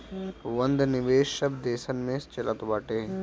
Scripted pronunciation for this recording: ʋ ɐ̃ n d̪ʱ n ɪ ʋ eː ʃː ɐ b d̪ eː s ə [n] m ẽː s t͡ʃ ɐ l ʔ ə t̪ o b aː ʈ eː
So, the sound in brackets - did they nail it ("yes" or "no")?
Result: yes